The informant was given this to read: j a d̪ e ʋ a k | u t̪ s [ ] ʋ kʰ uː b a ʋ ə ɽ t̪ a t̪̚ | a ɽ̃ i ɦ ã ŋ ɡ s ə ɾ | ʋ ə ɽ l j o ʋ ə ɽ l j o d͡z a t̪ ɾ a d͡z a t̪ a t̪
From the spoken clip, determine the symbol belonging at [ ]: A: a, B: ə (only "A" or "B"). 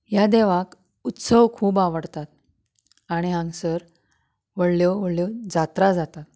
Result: B